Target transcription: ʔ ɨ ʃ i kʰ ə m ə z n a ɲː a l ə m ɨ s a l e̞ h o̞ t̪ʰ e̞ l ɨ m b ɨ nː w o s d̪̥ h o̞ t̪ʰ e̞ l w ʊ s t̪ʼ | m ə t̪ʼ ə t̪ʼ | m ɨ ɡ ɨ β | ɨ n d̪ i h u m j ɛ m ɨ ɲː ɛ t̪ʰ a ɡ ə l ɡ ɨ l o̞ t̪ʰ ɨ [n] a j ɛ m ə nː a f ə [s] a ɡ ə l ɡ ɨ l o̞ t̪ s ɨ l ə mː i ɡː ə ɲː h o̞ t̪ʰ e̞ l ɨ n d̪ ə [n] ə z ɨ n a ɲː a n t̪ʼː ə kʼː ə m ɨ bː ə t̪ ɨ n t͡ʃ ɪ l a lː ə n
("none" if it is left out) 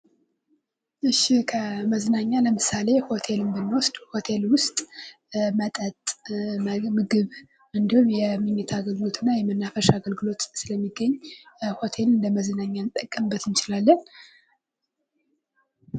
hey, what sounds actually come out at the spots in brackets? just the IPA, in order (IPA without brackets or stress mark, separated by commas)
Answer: nː, ʃ, m